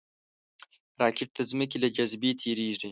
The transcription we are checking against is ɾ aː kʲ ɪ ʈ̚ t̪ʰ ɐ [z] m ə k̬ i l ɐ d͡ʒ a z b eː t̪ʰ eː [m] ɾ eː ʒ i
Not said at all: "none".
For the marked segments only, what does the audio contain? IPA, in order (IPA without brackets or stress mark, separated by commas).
z, none